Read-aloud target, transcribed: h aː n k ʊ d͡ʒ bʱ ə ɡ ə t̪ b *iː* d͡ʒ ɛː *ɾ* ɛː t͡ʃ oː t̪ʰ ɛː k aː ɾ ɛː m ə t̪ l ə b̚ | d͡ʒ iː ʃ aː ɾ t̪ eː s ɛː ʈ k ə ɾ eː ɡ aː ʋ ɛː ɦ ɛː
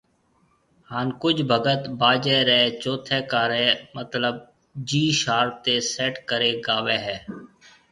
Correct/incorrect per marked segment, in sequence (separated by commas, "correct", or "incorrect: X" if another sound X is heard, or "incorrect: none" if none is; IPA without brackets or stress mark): incorrect: aː, correct